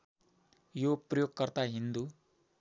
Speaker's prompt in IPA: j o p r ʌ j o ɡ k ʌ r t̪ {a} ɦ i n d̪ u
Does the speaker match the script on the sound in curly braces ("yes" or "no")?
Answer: yes